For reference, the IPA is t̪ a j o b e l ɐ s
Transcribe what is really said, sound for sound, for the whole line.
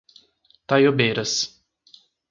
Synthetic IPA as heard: t̪ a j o b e ɾ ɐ s